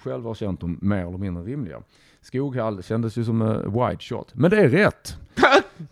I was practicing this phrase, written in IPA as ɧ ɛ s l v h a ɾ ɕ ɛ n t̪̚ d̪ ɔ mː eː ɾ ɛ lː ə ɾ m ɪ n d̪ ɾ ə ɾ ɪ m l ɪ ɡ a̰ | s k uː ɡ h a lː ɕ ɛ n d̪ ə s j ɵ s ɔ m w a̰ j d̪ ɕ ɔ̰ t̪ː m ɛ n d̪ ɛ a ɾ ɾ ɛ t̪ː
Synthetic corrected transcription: ɧ ɛ l v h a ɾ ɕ ɛ n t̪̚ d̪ ɔ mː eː ɾ ɛ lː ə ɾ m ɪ n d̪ ɾ ə ɾ ɪ m l ɪ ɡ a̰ | s k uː ɡ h a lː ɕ ɛ n d̪ ə s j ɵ s ɔ m w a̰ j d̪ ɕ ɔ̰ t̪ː m ɛ n d̪ ɛ æ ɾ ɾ ɛ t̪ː